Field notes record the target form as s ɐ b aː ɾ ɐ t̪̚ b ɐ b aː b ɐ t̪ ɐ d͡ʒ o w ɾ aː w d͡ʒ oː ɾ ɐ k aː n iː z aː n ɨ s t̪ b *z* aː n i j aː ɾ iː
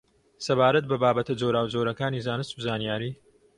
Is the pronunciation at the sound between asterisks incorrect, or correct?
correct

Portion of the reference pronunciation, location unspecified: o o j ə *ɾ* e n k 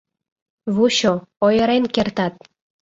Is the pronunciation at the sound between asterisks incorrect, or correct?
correct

